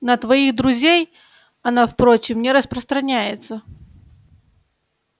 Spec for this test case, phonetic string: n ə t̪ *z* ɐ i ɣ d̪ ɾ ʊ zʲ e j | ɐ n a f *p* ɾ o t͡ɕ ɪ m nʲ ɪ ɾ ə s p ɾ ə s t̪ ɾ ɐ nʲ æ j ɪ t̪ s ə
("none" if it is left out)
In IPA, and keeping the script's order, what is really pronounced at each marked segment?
v, p

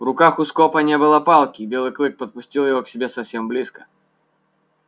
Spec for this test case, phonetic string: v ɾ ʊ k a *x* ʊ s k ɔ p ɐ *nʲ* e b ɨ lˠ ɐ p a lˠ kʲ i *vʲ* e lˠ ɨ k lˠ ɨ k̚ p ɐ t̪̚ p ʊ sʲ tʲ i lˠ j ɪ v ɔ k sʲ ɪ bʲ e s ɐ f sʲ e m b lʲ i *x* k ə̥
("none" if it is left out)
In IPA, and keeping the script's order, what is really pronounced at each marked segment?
x, nʲ, bʲ, s

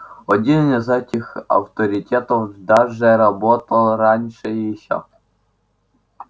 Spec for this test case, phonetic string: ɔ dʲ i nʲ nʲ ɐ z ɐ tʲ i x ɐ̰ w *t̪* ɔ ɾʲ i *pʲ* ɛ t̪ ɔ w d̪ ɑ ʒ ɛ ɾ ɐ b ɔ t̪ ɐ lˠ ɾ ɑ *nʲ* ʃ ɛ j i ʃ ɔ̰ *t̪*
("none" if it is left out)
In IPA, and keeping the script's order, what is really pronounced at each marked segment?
t̪, tʲ, nʲ, none

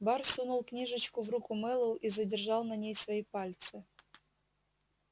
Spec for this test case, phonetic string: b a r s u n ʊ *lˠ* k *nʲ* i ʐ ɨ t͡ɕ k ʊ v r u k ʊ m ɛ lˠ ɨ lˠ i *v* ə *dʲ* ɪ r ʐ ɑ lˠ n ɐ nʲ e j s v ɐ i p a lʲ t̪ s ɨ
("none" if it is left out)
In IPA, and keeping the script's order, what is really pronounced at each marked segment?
lˠ, nʲ, z, dʲ

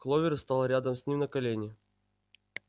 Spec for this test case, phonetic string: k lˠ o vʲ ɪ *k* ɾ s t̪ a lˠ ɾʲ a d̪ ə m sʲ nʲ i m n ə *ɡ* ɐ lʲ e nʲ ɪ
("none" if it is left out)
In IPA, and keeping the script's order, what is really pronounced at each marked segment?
none, k

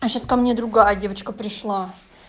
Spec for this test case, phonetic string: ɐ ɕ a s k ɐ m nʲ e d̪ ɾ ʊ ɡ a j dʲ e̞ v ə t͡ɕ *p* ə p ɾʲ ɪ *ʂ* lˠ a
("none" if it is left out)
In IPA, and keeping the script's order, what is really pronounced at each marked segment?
k, ʂ

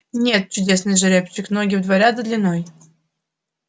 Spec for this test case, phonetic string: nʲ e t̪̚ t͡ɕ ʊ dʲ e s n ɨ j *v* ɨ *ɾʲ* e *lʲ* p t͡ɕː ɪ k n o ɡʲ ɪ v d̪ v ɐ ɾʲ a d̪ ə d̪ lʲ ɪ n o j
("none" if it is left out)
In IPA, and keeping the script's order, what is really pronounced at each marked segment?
ʐ, ɾʲ, none

